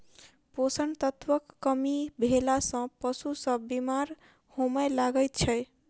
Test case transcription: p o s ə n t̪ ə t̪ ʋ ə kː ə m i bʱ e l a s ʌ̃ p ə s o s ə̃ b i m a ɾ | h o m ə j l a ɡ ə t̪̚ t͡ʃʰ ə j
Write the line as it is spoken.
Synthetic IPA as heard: p o s ə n t̪ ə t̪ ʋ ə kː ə m i bʱ e l a s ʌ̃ p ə s u s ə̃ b i m a ɾ | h o m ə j l a ɡ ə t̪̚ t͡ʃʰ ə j